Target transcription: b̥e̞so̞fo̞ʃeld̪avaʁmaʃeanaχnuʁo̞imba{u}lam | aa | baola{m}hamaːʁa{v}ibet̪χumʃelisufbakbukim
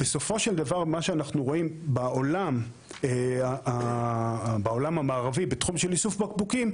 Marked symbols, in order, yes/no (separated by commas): no, yes, yes